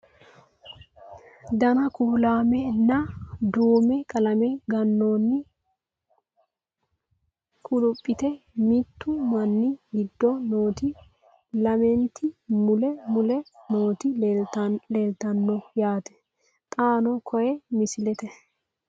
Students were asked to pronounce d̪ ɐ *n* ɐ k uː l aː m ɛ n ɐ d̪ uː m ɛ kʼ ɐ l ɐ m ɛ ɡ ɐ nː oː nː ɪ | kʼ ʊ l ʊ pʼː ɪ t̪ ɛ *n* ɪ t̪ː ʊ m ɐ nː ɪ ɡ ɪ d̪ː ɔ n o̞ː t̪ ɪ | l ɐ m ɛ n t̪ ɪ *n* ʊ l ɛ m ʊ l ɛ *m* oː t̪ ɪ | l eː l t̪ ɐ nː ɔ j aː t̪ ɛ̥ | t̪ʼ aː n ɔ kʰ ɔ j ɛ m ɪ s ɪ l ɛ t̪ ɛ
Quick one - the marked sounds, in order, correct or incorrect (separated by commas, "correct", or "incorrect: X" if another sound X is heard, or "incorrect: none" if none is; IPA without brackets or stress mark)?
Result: correct, incorrect: m, incorrect: m, incorrect: n